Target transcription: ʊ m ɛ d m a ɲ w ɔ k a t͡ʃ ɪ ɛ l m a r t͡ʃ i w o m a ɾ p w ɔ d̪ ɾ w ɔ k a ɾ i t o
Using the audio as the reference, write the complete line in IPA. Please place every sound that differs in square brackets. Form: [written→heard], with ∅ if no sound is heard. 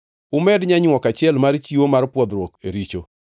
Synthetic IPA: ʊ m ɛ d [m→ɲ] a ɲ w ɔ k a t͡ʃ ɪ ɛ l m a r t͡ʃ i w o m a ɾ p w ɔ d̪ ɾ w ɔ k [a→e] ɾ i [t→t͡ʃ] o